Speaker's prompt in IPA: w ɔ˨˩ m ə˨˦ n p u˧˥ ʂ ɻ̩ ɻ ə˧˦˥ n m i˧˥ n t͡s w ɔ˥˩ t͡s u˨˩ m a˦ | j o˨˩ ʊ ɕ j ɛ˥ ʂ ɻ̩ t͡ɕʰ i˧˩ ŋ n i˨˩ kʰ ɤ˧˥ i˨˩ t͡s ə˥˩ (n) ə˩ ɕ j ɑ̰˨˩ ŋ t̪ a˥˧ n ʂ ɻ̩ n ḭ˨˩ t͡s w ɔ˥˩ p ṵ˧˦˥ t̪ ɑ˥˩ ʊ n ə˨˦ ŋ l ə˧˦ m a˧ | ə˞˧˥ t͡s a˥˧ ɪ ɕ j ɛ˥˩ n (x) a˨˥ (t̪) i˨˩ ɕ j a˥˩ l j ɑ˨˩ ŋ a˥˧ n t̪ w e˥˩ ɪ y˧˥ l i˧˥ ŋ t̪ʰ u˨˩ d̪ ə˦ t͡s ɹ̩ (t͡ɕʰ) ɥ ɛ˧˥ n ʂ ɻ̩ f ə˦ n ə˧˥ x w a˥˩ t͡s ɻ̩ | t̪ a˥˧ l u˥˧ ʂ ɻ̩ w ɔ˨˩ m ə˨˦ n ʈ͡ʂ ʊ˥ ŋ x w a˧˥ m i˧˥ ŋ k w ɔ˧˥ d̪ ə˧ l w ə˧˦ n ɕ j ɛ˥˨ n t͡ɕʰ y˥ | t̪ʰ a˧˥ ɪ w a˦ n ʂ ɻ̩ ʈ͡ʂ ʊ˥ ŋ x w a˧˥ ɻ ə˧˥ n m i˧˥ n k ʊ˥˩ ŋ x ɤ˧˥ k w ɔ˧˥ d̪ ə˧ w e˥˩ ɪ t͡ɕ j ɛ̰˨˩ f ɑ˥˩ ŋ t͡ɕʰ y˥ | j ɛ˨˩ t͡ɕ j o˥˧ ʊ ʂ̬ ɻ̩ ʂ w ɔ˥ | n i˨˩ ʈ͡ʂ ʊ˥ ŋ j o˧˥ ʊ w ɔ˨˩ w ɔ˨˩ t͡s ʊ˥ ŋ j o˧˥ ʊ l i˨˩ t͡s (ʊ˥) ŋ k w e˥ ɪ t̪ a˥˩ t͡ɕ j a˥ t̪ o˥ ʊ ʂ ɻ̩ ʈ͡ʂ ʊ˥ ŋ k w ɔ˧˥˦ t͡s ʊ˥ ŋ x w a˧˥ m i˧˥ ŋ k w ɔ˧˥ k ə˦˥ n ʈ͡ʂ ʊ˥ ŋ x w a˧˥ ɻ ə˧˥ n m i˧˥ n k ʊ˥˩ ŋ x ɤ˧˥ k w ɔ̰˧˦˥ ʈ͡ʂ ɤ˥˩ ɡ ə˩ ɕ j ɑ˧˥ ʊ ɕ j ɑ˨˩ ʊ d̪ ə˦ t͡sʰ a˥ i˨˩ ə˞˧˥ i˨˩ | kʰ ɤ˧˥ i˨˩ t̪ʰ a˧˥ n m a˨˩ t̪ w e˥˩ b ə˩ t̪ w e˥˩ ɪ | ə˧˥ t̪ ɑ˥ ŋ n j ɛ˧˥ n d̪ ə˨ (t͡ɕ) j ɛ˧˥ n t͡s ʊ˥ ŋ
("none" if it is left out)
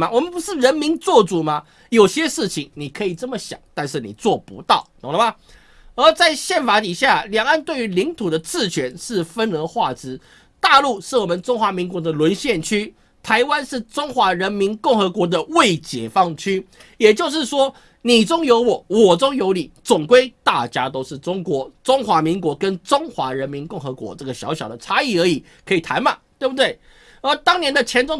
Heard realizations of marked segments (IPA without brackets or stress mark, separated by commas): m, f, t̪, t͡ɕʰ, ʊ˨˩, t͡ɕʰ